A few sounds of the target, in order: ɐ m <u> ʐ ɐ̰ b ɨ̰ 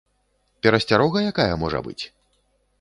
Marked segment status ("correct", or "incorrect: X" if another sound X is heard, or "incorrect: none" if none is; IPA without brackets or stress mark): incorrect: ɔ